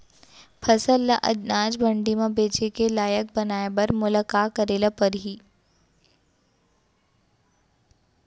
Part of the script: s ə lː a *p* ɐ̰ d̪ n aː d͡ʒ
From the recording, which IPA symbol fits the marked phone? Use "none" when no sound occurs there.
ʔ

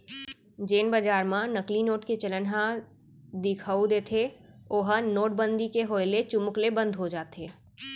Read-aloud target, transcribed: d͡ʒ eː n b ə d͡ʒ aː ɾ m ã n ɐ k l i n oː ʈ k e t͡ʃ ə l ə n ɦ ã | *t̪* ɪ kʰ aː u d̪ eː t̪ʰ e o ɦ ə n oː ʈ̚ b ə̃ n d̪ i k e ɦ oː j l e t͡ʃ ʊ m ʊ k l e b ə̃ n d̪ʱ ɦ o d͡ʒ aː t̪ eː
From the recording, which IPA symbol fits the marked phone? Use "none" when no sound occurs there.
d̪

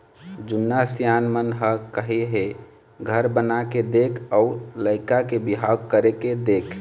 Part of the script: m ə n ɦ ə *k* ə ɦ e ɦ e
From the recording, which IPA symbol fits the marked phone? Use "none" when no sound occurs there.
k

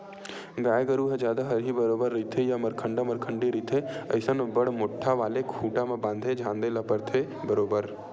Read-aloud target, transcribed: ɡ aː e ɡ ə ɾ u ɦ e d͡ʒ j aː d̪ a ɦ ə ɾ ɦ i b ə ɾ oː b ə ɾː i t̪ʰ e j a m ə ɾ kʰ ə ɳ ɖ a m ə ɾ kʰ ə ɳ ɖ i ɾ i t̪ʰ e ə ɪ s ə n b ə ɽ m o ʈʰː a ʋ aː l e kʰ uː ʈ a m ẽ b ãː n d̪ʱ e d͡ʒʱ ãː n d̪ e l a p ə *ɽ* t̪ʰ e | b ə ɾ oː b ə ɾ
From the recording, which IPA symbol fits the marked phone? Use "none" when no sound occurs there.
ɾ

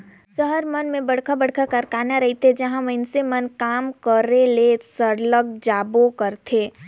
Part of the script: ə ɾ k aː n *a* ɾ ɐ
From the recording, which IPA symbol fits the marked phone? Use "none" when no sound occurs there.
a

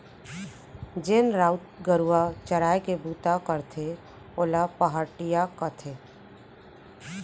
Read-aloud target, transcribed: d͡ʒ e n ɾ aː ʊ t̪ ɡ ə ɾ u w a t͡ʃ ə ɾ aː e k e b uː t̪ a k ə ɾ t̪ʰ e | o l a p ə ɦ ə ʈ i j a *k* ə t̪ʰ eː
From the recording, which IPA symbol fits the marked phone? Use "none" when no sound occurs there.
k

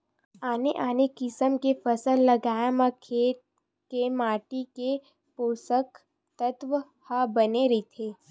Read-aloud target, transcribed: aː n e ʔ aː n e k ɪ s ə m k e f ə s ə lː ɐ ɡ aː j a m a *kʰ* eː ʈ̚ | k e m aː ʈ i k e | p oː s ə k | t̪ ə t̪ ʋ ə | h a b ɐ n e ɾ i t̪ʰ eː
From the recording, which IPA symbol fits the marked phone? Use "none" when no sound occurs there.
kʰ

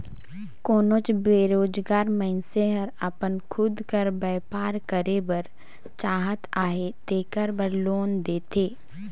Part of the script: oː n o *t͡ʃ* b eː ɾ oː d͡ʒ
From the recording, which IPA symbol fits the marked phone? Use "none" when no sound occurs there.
t͡ʃ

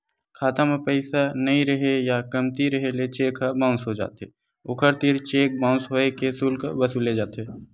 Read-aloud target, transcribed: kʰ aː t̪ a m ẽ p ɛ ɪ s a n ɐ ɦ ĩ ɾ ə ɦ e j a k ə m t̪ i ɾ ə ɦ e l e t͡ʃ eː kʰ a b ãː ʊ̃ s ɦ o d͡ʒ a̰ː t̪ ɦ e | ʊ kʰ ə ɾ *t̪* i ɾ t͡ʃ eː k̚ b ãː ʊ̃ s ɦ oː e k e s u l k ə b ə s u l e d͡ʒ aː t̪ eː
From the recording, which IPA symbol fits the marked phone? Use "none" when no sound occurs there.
t̪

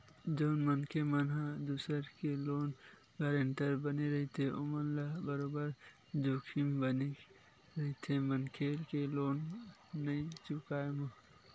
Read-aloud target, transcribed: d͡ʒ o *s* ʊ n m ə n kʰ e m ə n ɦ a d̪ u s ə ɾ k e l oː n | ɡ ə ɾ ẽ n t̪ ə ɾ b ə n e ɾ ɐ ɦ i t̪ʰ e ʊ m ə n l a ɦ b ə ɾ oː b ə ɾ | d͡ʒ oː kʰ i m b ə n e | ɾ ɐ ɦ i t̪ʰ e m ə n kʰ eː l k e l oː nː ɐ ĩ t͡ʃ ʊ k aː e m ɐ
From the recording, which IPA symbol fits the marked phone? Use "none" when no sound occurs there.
none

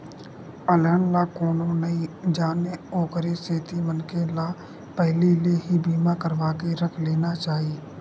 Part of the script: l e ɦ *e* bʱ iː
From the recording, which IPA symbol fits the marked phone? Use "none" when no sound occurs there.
i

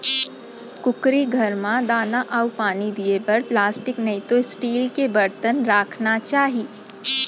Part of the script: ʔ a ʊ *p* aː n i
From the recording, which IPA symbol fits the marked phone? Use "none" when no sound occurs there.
p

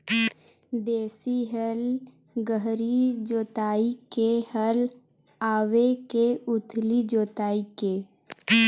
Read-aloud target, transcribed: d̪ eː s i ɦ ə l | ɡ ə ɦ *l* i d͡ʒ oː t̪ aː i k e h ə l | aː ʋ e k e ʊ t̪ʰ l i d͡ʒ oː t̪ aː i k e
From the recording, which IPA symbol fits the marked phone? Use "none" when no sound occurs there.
ɾ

